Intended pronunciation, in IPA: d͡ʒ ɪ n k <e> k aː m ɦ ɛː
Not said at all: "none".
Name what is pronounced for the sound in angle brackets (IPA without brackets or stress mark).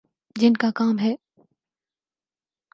a